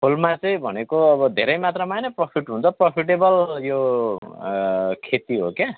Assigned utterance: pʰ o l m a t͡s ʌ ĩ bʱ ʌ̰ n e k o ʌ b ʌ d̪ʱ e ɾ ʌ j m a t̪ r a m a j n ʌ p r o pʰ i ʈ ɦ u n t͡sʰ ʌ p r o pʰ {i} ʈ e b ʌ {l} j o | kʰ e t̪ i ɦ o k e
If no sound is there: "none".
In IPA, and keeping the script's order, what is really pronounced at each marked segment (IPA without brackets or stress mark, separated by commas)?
i, l